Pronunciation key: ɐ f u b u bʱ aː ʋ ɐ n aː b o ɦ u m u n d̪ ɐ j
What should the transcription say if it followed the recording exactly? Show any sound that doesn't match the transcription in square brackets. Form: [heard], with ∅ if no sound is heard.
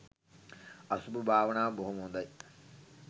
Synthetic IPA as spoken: ɐ [s] u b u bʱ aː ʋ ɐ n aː b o ɦ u m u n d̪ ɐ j